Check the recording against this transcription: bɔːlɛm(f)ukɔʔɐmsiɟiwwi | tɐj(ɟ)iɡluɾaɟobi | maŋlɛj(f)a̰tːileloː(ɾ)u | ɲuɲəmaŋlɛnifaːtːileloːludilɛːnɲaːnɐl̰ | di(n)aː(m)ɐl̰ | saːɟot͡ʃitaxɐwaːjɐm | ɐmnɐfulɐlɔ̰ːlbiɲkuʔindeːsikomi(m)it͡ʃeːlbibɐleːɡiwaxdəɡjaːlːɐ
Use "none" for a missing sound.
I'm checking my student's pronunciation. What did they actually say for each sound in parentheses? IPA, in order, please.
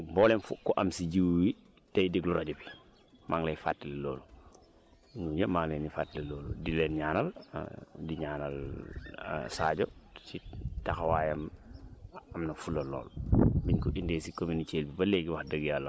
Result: f, d, f, l, ɲ, n, n

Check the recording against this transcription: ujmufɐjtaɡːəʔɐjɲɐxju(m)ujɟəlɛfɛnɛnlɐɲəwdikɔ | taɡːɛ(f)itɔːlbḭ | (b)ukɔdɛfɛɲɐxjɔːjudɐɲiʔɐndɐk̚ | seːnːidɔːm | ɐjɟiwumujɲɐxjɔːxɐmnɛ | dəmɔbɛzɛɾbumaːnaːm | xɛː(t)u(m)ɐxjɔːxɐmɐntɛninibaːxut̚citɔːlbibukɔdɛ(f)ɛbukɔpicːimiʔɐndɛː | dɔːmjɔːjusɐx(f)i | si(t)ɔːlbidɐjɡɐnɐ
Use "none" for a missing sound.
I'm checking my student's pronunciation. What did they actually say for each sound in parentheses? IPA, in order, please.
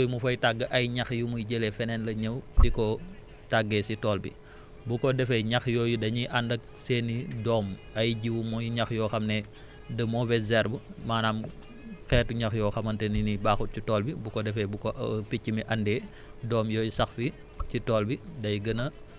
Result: m, s, b, t, ɲ, f, f, t

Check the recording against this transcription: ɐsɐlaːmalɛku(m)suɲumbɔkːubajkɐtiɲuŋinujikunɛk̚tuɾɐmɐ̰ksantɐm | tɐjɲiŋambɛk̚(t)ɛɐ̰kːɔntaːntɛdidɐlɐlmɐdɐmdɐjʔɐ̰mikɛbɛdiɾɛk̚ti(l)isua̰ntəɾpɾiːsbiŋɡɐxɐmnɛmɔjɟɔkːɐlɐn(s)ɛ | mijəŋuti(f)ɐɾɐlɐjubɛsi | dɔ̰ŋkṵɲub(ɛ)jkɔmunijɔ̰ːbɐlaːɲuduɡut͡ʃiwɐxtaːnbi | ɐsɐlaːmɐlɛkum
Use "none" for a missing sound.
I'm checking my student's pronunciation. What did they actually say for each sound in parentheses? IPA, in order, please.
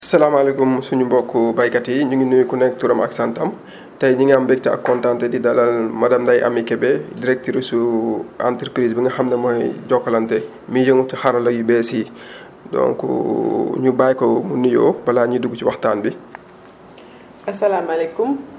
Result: m, t, ɾ, t, x, a

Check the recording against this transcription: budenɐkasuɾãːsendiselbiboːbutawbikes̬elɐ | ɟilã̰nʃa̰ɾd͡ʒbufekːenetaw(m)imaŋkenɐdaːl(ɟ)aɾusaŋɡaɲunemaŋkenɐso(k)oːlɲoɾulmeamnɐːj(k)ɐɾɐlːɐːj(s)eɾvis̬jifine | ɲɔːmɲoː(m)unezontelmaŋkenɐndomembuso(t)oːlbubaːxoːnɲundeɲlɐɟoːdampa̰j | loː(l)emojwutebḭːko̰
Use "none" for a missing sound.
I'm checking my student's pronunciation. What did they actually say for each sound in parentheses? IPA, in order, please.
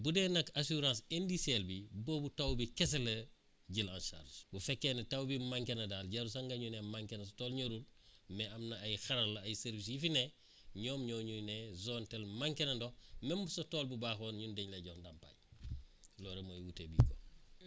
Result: b, ɟ, t, x, s, ɲ, t, ɾ

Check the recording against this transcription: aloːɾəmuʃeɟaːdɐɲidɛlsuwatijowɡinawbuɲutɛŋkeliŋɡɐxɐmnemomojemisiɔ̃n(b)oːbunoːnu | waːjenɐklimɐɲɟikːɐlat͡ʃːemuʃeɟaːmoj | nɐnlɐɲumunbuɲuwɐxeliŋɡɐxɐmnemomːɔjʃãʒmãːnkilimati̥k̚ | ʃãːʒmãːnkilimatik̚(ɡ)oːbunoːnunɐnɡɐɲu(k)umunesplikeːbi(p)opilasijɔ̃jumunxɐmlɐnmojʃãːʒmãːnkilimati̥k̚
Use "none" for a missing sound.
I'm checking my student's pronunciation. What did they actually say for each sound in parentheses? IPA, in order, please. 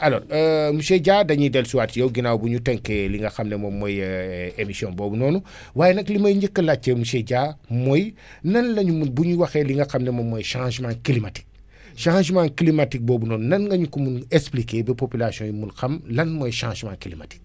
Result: b, b, k, p

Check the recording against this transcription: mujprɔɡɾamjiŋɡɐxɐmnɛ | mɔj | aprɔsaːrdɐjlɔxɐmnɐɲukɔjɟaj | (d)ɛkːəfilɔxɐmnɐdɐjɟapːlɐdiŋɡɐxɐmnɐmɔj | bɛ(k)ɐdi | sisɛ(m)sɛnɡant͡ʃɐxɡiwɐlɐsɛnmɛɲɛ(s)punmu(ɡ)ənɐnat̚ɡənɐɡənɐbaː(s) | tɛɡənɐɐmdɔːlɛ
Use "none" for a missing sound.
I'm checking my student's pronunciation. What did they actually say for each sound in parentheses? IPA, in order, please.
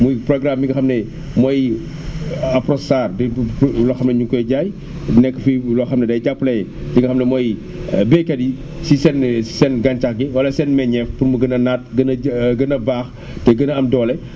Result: n, k, n, f, ɡ, x

